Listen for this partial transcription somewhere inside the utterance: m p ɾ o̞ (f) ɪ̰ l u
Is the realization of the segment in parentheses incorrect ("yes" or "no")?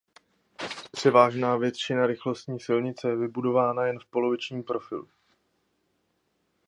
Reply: no